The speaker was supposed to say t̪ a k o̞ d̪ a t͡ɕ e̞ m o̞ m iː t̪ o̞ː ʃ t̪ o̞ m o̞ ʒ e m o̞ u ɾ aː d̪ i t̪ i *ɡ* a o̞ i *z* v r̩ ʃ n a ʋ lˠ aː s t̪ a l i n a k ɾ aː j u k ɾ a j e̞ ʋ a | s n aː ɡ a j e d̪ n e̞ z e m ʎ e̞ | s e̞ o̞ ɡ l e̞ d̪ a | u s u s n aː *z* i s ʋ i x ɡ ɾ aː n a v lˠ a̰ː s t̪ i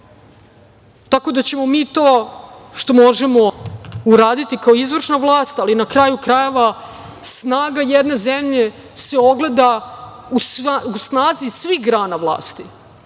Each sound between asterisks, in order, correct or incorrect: incorrect, correct, correct

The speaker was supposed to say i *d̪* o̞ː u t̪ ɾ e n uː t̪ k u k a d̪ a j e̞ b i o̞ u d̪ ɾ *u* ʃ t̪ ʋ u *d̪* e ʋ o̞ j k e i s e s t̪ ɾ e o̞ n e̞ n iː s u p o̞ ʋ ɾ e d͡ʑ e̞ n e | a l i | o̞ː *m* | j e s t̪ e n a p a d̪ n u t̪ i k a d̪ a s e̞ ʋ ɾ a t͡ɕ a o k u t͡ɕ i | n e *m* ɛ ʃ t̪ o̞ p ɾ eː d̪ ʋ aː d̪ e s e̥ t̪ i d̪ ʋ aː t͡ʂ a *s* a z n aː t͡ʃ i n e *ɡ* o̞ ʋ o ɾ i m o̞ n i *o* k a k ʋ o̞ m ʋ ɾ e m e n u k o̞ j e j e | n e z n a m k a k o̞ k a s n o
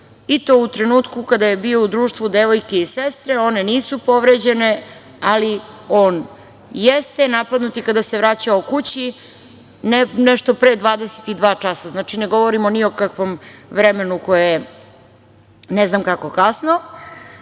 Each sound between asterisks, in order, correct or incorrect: incorrect, incorrect, correct, incorrect, incorrect, correct, correct, correct

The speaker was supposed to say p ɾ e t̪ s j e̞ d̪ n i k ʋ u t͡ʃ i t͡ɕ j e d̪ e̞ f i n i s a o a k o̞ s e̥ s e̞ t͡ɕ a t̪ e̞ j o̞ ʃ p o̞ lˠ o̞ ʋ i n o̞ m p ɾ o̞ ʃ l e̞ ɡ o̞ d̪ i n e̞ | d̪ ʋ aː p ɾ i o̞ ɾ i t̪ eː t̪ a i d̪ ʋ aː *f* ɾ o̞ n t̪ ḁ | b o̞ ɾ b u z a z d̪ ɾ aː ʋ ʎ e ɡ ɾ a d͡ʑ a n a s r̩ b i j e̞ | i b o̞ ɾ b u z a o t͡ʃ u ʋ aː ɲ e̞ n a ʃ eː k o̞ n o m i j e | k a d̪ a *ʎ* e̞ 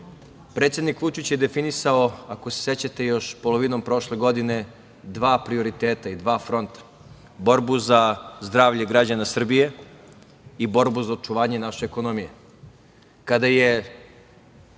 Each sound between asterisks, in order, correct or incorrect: correct, incorrect

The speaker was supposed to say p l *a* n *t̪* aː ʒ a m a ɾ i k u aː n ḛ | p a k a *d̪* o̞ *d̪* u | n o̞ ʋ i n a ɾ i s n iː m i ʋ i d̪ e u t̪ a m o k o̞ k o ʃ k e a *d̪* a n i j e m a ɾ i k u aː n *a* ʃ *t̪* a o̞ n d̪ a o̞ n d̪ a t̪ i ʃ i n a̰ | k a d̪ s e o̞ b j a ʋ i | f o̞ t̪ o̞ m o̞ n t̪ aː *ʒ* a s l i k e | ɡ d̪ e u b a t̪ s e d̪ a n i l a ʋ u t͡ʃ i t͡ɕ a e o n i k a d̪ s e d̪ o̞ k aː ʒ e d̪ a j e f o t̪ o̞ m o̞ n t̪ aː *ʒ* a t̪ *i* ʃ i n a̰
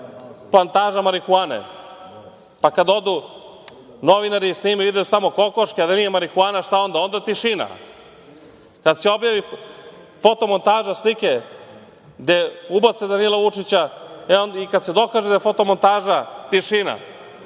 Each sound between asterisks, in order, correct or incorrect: correct, correct, correct, correct, correct, correct, correct, correct, correct, correct

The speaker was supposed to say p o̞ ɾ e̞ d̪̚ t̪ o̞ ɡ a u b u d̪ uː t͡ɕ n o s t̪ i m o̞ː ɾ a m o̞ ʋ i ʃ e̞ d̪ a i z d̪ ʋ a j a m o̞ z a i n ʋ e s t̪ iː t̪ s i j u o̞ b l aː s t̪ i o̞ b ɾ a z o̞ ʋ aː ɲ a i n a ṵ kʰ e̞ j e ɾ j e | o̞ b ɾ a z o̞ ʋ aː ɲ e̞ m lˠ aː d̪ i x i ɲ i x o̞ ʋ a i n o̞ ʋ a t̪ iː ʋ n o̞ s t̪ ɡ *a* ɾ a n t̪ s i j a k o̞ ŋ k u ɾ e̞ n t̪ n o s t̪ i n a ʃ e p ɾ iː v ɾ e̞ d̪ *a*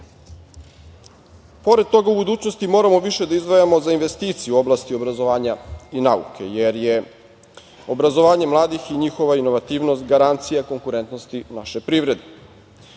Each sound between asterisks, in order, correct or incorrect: correct, incorrect

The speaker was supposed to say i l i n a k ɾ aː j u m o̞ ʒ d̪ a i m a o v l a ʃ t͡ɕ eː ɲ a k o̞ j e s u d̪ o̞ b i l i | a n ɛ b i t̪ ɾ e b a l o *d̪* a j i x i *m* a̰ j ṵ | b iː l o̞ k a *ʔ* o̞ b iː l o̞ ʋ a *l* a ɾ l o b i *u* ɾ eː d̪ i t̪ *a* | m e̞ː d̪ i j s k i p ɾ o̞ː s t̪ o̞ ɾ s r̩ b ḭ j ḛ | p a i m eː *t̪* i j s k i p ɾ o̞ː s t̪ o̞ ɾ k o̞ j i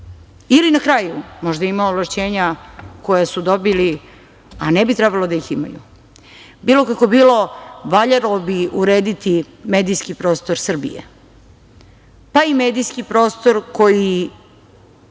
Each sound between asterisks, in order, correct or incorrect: correct, correct, incorrect, incorrect, correct, incorrect, incorrect

